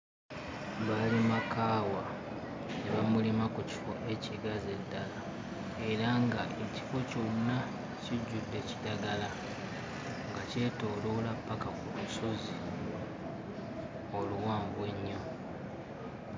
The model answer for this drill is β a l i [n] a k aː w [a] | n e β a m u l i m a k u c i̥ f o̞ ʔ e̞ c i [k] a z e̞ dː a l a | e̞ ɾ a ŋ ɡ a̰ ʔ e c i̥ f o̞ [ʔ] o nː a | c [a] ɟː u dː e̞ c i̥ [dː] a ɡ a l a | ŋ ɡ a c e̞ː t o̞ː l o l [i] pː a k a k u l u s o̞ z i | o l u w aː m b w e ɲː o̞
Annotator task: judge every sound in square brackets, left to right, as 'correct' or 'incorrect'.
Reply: incorrect: m, correct, incorrect: ɡ, incorrect: c, incorrect: i, incorrect: d, incorrect: a

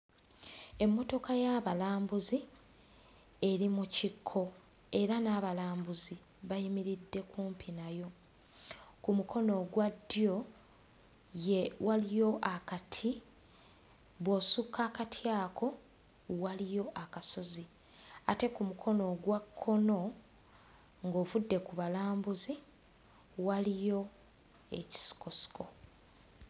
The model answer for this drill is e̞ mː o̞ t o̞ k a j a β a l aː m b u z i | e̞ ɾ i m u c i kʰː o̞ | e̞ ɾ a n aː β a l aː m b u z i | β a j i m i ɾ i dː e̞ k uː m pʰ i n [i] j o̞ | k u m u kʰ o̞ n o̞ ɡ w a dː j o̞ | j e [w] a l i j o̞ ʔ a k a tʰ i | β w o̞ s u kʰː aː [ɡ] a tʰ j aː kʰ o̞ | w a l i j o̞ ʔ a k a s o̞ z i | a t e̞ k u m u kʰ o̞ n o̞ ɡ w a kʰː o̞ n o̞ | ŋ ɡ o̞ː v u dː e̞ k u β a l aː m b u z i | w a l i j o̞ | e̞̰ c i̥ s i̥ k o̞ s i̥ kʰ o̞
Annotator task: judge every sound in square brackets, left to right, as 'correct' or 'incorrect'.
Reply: incorrect: a, correct, incorrect: k

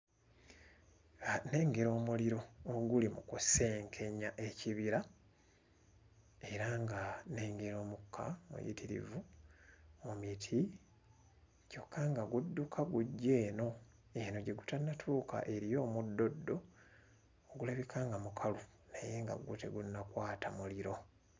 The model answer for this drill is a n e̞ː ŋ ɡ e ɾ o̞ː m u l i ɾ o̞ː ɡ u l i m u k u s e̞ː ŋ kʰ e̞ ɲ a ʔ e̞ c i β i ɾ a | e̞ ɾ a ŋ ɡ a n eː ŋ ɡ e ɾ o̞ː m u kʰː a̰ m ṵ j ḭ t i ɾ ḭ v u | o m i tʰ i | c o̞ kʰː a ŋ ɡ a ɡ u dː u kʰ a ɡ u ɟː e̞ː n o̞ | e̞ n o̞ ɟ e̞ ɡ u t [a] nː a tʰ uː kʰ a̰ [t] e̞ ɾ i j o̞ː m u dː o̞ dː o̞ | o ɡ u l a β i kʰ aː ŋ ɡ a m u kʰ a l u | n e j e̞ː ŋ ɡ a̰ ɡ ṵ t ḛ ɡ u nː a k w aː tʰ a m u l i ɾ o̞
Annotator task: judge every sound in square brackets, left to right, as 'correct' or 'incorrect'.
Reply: correct, incorrect: ʔ

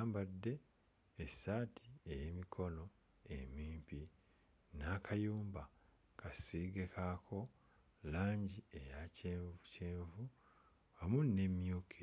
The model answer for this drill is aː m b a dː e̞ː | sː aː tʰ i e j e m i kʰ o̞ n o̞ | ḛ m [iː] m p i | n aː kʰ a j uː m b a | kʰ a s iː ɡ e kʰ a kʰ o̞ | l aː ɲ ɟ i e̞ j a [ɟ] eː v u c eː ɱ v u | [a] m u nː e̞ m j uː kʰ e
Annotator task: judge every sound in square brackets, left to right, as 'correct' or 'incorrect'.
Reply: correct, incorrect: c, correct

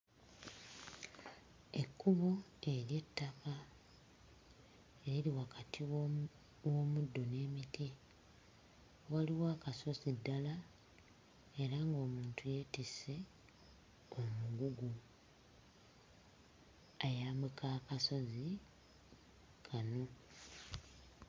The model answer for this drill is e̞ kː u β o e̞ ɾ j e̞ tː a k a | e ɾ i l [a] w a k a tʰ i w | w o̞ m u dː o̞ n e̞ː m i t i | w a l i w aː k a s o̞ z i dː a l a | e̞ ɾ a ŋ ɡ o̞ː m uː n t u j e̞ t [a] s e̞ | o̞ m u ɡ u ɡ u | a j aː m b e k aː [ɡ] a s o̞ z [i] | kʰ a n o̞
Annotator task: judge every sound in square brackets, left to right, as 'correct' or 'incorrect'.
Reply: incorrect: i, incorrect: i, incorrect: k, correct

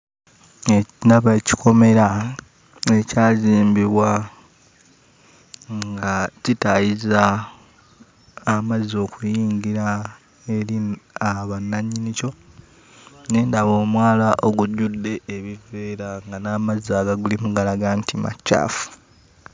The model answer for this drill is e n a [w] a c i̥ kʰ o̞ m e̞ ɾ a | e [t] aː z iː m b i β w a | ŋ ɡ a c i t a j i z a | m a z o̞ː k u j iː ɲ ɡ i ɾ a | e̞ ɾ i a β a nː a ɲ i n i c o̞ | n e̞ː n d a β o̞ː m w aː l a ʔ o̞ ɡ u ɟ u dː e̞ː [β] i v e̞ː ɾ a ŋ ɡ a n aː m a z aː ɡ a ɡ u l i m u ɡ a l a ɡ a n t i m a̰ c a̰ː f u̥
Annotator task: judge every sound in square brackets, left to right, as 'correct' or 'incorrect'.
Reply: incorrect: β, incorrect: c, correct

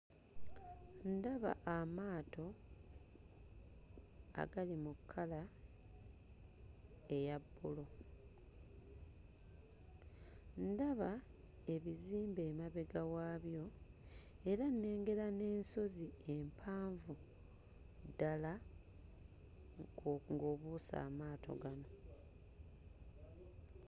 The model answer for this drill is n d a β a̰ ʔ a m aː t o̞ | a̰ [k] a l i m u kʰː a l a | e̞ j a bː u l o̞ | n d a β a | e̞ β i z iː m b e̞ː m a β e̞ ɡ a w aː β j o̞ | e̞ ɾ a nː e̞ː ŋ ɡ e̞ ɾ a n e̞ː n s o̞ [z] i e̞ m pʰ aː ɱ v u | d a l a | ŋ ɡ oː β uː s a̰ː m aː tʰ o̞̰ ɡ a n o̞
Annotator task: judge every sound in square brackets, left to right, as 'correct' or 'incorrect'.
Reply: incorrect: ɡ, correct

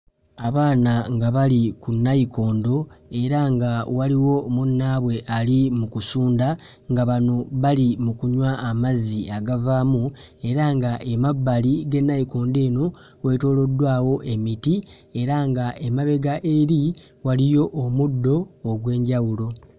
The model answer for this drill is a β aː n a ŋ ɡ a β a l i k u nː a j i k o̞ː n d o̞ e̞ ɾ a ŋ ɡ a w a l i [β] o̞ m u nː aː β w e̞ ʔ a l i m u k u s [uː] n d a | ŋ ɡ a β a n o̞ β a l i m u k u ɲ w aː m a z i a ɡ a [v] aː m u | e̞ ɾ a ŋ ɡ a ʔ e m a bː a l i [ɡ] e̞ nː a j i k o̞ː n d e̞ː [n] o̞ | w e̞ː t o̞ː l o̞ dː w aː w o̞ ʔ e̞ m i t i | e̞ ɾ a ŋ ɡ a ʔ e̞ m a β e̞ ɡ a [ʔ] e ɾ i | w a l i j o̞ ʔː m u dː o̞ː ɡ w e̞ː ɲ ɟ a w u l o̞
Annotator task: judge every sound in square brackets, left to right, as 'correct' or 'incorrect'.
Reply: incorrect: w, correct, correct, correct, correct, correct

